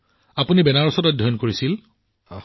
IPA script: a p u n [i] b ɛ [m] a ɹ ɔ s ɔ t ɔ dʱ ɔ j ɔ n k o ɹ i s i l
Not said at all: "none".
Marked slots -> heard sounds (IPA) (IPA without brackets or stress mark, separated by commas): i, n